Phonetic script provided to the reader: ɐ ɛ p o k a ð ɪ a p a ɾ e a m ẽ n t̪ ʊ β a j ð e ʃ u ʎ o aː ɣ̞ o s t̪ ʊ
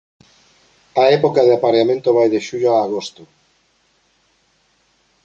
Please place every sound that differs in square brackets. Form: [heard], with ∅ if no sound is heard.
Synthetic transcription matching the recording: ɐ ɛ p o k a ð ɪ a p a ɾ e a m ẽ n t̪ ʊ β a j ð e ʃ u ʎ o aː ɣ̞ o s t̪ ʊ